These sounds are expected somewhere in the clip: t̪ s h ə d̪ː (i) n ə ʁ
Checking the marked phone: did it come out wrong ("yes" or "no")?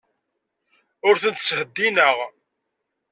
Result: no